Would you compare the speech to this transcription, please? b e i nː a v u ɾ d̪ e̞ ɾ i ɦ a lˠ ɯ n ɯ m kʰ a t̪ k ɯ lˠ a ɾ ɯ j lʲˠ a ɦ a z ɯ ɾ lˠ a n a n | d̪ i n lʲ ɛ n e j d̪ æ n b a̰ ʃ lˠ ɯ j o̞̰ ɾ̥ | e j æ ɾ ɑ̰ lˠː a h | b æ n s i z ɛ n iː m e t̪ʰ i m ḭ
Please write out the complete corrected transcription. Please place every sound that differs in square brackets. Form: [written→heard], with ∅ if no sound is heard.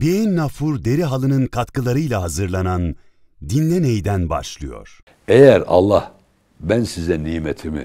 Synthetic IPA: b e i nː a [v→f] u ɾ d̪ e̞ ɾ i ɦ a lˠ ɯ n ɯ [m→n] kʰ a t̪ k ɯ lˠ a ɾ ɯ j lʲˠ a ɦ a z ɯ ɾ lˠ a n a n | d̪ i n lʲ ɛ n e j d̪ æ n b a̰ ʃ lˠ ɯ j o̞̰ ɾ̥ | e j æ ɾ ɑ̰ lˠː a h | b æ n s i z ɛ n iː m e t̪ʰ i m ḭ